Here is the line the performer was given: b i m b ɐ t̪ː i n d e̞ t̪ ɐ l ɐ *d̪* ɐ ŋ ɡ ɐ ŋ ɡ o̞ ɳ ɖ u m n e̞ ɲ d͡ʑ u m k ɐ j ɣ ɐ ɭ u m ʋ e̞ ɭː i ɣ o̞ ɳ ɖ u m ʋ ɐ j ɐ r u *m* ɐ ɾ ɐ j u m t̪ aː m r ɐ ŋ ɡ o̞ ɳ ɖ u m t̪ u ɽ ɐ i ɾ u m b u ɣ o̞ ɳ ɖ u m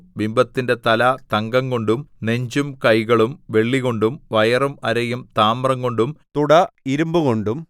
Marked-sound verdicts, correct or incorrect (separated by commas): incorrect, correct